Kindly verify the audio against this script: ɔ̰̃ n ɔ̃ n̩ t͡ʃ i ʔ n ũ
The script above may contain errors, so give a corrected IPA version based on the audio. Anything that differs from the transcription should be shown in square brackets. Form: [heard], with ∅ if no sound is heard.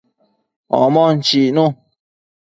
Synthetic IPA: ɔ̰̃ [m] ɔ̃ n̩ t͡ʃ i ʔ n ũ